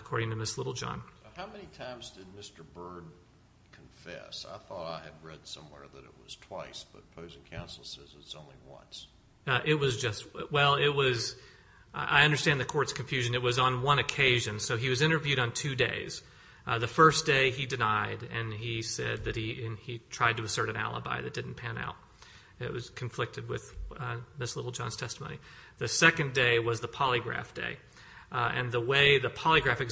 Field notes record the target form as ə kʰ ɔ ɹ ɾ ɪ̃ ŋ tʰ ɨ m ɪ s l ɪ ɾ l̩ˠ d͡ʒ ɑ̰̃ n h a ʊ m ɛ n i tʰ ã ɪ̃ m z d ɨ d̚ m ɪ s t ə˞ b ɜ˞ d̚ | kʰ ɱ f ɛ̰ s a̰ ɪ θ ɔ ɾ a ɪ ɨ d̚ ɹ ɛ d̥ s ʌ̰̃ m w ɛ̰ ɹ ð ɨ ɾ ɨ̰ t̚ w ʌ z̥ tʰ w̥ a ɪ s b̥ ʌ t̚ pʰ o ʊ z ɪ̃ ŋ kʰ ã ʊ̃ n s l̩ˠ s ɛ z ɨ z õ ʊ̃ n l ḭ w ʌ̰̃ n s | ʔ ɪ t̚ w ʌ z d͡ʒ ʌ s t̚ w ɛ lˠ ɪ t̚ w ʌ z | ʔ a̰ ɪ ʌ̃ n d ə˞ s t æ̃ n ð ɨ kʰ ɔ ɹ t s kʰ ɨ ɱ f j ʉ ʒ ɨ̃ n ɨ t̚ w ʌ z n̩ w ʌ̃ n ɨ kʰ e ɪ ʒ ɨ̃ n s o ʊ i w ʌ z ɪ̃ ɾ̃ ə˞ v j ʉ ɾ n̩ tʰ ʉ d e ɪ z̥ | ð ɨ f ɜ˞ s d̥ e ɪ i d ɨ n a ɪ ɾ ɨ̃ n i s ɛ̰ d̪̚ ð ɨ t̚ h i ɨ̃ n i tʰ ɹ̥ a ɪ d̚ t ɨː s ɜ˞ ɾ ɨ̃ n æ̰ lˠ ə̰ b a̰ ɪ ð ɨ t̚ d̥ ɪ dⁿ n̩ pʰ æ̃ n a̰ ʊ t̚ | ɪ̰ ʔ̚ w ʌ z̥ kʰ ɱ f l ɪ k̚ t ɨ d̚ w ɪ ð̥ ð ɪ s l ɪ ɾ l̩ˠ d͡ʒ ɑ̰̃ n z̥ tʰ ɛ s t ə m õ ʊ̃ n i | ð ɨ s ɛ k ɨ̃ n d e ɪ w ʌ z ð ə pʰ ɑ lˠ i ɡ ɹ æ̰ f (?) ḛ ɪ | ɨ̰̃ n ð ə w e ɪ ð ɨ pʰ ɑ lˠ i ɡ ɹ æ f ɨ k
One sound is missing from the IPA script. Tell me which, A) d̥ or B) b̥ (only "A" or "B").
A